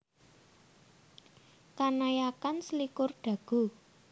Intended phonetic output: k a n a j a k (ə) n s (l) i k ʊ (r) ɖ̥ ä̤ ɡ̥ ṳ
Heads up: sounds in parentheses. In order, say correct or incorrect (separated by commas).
incorrect, correct, correct